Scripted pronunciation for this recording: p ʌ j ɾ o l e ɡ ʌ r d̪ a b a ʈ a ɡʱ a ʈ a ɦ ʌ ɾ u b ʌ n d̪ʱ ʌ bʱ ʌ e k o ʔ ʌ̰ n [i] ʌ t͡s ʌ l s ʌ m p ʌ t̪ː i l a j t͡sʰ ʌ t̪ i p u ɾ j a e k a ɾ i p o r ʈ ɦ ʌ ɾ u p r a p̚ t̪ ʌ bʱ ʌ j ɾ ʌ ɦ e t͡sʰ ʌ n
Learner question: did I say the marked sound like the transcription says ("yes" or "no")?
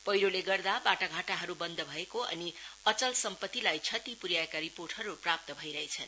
yes